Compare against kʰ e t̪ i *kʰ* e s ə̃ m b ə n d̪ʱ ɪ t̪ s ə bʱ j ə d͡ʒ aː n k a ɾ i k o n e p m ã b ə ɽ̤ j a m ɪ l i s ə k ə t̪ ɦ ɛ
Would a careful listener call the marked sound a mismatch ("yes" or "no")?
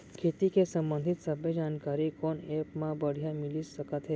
yes